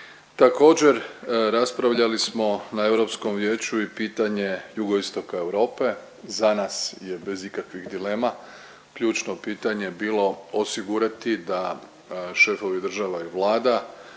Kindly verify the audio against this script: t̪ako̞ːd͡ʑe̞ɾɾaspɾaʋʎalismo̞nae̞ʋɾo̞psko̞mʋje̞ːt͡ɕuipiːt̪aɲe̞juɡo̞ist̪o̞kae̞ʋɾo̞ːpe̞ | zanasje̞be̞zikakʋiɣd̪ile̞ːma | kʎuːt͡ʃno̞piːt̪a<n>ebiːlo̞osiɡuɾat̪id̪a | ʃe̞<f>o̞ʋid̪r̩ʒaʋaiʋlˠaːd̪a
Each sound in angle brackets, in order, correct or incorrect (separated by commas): incorrect, correct